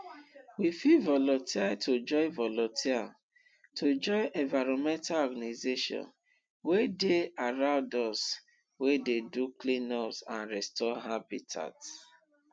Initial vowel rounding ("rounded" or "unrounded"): unrounded